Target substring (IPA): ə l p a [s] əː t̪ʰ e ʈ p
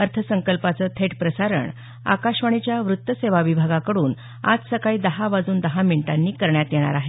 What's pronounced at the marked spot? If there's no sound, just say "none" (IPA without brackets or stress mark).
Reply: t͡s